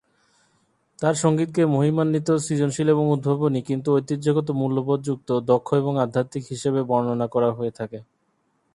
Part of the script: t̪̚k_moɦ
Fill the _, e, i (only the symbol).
e